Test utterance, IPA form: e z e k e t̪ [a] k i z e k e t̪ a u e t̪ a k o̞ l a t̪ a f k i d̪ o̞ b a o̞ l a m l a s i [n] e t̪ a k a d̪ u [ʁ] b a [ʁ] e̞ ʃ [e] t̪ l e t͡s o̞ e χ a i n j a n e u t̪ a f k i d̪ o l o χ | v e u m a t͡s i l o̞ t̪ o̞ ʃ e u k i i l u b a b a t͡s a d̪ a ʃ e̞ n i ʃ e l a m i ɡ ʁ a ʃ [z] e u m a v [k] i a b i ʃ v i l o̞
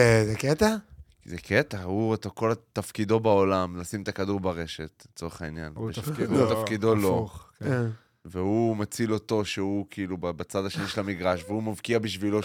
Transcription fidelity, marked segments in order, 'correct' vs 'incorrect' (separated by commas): correct, incorrect, correct, correct, correct, incorrect, correct